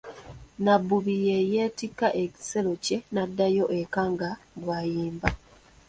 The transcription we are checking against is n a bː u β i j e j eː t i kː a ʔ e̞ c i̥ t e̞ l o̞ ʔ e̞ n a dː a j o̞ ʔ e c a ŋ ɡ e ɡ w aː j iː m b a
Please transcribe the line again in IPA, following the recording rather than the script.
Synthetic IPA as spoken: n a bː u β i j e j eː t i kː a ʔ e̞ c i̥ s e̞ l o̞ c e̞ n a dː a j o̞ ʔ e k a ŋ ɡ a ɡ w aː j iː m b a